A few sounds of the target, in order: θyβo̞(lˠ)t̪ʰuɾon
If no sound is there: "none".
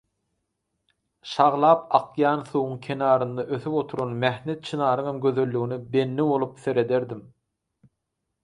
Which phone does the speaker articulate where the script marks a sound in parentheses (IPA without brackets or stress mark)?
none